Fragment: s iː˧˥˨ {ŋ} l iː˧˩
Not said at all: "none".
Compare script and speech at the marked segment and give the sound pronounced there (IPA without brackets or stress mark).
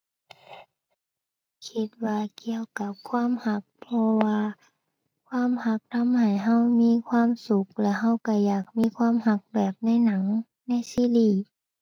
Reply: none